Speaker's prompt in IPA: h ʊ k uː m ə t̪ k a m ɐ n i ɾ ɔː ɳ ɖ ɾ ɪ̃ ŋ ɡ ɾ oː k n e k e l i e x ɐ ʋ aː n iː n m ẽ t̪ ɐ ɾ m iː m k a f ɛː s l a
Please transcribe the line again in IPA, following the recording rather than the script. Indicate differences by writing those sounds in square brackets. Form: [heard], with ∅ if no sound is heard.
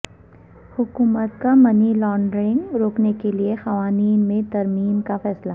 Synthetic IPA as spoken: h ʊ k uː m ə t̪ k a m ɐ n i [l] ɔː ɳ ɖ ɾ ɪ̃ ŋ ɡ ɾ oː k n e k e l i e x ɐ ʋ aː n iː n m ẽ t̪ ɐ ɾ m iː m k a f ɛː s l a